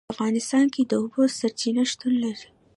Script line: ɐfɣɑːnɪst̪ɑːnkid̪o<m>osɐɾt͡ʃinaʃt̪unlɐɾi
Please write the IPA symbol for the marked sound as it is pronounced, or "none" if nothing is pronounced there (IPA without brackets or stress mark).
b